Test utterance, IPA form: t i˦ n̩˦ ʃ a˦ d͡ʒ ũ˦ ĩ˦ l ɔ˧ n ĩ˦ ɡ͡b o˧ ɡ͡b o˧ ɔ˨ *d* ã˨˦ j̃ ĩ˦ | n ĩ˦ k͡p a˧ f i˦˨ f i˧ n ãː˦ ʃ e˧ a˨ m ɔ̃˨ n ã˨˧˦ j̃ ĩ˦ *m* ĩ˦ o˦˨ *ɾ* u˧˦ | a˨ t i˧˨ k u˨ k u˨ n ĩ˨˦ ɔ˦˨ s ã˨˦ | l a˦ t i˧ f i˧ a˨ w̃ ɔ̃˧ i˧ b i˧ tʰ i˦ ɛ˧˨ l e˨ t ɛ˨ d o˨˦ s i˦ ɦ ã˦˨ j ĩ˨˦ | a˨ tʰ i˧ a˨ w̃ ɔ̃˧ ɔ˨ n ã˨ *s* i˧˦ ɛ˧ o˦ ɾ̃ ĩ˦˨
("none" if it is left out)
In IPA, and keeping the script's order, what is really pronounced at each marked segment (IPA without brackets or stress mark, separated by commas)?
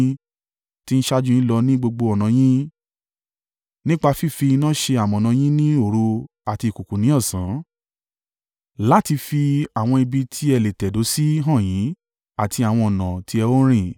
n, n, ɾ, t